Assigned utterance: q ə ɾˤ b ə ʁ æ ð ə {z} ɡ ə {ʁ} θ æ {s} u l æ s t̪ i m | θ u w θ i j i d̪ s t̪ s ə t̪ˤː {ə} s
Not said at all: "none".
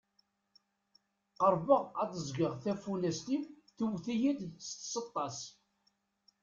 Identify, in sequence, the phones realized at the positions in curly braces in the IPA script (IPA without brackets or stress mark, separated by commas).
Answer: z, ʁ, f, ɑ